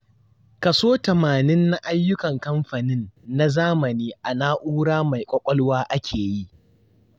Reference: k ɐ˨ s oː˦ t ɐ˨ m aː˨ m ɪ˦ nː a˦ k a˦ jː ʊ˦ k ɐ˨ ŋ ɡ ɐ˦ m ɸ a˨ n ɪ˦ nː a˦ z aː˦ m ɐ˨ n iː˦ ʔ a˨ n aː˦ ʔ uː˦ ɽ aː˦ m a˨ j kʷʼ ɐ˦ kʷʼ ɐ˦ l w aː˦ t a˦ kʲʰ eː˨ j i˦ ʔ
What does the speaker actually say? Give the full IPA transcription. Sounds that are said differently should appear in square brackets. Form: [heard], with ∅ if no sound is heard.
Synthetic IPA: k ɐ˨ s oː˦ t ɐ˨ m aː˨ [n] ɪ˦ nː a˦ [ʔ] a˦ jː ʊ˦ k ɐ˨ ŋ [k] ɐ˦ m ɸ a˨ n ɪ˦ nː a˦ z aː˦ m ɐ˨ n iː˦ ʔ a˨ n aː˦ ʔ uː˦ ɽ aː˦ m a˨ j kʷʼ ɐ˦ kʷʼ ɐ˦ l w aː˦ [ʔ] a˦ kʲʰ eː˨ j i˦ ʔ